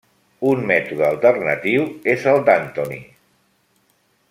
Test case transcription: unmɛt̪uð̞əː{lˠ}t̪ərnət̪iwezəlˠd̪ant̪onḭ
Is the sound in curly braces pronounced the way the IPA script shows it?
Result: yes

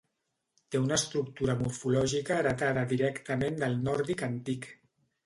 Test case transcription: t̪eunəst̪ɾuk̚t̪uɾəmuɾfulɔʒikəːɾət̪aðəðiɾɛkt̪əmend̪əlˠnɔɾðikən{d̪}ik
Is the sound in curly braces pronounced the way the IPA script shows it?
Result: no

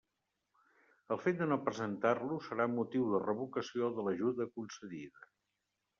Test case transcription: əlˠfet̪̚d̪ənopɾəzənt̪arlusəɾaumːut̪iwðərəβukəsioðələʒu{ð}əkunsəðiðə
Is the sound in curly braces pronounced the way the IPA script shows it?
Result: yes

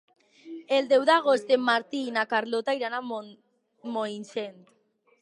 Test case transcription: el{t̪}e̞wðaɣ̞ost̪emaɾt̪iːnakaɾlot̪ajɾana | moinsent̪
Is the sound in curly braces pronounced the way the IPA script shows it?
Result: no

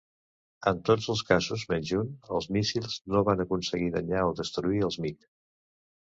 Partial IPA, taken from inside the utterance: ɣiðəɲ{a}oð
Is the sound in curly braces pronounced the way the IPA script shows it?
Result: yes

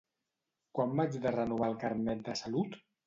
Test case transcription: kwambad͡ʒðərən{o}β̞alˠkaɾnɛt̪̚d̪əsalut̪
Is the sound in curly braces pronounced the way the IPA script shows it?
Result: no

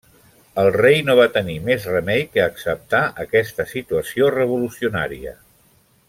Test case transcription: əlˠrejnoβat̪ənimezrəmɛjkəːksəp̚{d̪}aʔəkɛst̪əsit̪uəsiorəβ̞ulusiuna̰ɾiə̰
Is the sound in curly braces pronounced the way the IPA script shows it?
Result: no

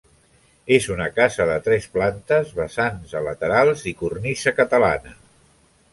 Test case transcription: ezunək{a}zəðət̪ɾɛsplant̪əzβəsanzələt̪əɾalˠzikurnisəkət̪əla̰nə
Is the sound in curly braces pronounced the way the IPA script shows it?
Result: yes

